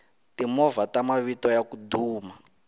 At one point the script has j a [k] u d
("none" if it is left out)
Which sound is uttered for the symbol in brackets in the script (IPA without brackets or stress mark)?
k